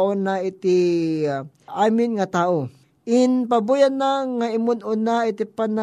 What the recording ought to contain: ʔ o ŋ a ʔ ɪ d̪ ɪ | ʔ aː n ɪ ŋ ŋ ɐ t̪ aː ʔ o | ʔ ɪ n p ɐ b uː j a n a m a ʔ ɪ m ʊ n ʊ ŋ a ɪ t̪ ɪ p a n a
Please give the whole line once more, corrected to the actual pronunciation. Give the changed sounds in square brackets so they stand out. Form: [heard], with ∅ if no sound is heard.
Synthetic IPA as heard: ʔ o [n] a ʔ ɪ [t̪] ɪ | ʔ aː [m] ɪ [n] ŋ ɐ t̪ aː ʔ o | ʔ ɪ n p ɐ b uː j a n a [ŋ] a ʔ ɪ m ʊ n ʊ [n] a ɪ t̪ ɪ p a n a